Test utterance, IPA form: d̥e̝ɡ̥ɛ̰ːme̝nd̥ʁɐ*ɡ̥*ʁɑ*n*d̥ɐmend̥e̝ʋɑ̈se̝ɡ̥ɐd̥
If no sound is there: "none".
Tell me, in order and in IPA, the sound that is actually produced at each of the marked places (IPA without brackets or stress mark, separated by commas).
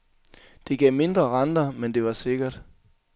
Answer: none, n